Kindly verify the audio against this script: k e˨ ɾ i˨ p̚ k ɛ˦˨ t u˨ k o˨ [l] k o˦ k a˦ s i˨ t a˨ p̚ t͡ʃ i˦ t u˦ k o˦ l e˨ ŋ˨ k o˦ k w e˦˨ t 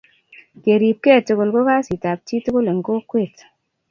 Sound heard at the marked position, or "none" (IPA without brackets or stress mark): l